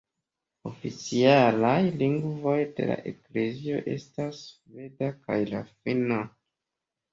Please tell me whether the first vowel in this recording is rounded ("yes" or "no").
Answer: yes